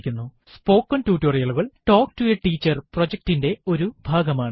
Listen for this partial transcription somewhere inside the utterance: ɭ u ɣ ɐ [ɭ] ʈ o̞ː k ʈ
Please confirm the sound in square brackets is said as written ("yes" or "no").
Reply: yes